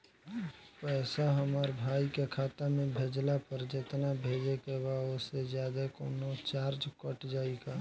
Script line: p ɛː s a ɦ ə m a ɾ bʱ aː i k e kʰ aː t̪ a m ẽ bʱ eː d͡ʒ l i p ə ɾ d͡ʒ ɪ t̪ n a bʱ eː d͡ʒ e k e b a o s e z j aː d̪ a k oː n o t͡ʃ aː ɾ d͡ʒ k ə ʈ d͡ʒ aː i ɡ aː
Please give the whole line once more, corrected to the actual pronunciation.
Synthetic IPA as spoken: p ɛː s a ɦ ə m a ɾ bʱ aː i k e kʰ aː t̪ a m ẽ bʱ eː d͡ʒ l a p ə ɾ d͡ʒ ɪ t̪ n a bʱ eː d͡ʒ e k e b a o s e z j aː d̪ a k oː n o t͡ʃ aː ɾ d͡ʒ k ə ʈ d͡ʒ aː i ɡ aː